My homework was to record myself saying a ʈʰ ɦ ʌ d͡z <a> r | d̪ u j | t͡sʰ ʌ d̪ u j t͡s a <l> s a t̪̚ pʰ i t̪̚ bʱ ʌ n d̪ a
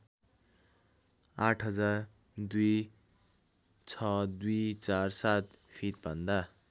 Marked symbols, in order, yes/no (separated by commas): yes, no